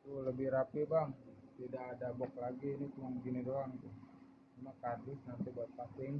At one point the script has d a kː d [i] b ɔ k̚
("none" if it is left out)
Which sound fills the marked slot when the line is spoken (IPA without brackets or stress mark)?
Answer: a